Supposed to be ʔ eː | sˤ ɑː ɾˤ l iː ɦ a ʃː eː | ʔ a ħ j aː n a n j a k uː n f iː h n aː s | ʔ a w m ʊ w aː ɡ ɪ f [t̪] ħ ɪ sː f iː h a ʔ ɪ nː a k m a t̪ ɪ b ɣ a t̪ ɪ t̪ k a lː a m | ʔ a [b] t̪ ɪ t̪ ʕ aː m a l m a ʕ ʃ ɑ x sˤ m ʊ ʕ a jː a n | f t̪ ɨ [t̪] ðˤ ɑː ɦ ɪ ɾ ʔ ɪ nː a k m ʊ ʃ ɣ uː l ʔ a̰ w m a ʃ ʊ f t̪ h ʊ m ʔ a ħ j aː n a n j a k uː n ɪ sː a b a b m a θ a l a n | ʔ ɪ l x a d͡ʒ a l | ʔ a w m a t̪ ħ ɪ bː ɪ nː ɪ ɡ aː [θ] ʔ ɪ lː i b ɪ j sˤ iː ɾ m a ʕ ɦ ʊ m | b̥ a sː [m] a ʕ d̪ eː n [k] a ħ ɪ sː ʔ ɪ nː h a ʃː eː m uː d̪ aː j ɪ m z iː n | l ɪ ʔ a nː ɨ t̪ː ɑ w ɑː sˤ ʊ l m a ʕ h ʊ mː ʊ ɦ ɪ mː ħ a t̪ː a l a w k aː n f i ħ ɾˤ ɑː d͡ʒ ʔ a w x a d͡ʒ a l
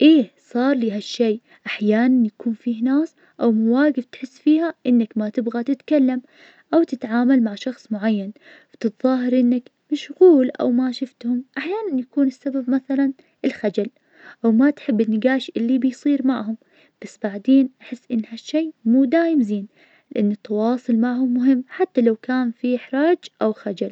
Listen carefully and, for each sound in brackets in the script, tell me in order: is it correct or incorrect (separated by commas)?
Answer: correct, incorrect, correct, incorrect, incorrect, incorrect